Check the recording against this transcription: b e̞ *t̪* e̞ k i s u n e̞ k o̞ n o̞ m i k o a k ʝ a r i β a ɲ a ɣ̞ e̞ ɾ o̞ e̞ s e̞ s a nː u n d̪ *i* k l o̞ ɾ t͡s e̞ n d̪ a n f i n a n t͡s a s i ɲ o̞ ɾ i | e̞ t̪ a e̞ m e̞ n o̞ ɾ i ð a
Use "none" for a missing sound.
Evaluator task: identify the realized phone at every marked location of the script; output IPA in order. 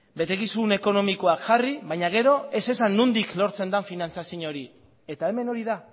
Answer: t̪, i

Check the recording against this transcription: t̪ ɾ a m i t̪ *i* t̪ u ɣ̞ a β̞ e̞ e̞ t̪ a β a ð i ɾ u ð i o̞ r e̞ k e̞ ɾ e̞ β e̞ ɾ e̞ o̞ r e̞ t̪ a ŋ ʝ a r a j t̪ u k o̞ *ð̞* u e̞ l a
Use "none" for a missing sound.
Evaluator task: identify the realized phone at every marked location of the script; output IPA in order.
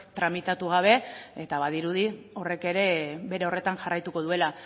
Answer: a, ð̞

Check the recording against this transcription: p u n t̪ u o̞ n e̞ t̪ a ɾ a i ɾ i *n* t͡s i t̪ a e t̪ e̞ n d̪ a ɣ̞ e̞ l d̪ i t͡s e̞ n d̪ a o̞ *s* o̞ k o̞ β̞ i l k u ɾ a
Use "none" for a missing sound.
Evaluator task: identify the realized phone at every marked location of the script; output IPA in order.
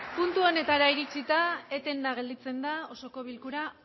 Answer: none, s

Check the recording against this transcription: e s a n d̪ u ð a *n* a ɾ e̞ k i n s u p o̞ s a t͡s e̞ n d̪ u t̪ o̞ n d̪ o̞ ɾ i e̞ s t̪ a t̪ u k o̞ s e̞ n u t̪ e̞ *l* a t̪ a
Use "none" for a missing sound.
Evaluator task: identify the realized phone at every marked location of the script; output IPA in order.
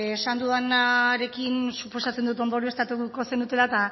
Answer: n, l

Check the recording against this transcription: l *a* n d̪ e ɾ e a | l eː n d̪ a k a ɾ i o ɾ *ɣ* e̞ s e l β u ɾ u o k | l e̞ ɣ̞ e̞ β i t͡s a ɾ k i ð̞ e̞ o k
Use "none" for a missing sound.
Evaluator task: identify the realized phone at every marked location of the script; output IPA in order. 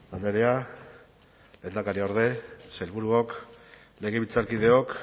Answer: a, ð

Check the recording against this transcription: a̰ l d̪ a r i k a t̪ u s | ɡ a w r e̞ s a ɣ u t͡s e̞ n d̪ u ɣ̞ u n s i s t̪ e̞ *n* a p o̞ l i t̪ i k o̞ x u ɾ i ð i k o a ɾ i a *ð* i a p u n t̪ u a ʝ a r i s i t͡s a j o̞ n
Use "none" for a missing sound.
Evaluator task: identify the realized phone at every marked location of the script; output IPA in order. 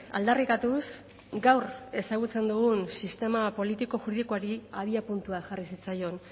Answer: m, ð

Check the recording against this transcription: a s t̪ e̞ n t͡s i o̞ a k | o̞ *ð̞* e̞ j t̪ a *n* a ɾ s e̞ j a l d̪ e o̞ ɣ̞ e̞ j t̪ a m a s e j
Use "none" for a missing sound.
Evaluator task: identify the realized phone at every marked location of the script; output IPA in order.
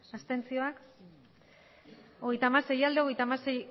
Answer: ɣ̞, m

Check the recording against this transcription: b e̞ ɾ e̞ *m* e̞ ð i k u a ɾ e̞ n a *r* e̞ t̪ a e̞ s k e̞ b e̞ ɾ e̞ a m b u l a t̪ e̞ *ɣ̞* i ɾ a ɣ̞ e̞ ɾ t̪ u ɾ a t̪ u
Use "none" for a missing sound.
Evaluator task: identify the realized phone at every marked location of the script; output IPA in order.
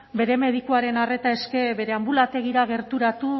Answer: m, r, ɣ̞

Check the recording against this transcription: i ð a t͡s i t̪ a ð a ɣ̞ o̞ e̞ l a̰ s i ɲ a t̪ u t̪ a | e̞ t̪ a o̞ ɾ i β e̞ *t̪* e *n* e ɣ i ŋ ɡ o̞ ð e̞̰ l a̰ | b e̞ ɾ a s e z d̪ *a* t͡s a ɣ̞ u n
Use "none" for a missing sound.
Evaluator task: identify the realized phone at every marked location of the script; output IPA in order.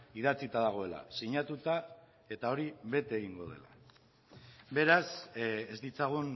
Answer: t̪, none, i

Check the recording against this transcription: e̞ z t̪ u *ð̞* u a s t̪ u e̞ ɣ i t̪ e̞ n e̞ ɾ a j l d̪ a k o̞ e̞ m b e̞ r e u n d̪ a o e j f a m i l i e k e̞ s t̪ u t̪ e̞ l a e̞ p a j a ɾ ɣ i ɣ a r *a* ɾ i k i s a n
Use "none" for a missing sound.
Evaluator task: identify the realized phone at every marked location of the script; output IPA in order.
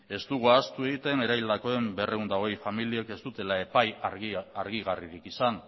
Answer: ɣ̞, i

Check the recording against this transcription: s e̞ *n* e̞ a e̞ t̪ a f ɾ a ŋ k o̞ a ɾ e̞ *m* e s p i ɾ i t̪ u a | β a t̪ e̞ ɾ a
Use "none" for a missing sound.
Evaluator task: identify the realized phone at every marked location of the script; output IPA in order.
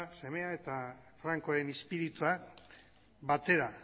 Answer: m, n

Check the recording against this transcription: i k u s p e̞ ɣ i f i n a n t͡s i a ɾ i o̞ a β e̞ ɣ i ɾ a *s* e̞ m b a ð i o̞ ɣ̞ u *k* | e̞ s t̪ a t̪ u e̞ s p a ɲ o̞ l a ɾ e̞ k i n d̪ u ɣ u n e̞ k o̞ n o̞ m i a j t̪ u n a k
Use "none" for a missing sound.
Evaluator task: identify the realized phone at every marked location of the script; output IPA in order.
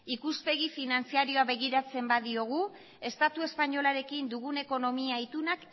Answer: t͡s, none

